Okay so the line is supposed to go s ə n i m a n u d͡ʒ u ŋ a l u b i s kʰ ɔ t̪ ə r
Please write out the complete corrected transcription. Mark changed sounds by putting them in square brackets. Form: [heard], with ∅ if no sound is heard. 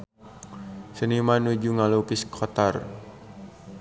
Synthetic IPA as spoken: s ə n i m a n u d͡ʒ u ŋ a l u [p] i s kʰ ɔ t̪ [a] r